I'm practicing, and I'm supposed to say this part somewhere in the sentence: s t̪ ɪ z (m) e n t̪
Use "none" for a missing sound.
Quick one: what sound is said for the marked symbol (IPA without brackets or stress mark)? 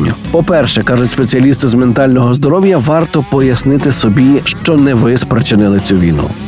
m